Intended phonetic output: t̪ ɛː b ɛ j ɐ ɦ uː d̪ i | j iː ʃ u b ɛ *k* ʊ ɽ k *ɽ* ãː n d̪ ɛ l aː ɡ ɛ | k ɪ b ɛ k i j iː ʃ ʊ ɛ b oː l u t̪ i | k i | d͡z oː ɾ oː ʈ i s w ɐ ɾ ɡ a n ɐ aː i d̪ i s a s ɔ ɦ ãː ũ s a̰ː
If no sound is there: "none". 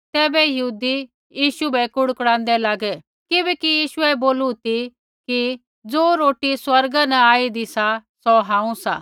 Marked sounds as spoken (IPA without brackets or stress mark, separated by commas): k, ɽ